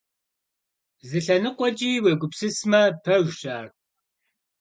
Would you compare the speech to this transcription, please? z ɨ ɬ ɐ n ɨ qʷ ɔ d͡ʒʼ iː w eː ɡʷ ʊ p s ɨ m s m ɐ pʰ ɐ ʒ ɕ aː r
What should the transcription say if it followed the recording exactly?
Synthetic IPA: z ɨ ɬ ɐ n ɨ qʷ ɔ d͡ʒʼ iː w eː ɡʷ ʊ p s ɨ s m ɐ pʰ ɐ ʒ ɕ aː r